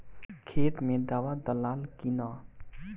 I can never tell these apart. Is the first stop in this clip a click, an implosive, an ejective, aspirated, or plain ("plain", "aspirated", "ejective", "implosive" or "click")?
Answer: aspirated